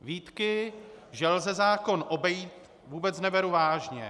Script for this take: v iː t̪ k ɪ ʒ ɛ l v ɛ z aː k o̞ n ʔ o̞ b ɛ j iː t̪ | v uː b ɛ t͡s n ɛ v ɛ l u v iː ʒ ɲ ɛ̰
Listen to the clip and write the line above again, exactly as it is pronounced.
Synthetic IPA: v iː t̪ k ɪ ʒ ɛ l z ɛ z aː k o̞ n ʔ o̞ b ɛ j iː t̪ | v uː b ɛ t͡s n ɛ v ɛ ɾ u v aː ʒ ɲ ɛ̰

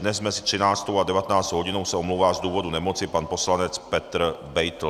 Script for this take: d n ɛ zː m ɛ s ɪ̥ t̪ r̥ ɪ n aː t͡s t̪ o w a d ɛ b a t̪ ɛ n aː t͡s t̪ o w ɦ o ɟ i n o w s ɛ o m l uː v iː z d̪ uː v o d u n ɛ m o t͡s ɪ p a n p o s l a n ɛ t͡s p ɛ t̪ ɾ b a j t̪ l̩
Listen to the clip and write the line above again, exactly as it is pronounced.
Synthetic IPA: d n ɛ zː m ɛ s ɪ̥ t̪ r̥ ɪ n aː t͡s t̪ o w a d ɛ v a t̪ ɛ n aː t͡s t̪ o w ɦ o ɟ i n o w s ɛ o m l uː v aː z d̪ uː v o d u n ɛ m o t͡s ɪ p a n p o s l a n ɛ t͡s p ɛ t̪ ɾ b ɛ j t̪ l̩

